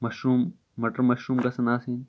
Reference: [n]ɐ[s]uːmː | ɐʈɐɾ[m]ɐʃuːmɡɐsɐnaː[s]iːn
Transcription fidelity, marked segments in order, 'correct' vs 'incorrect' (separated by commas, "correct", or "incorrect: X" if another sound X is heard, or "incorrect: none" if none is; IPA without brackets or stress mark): incorrect: m, incorrect: ʃ, correct, correct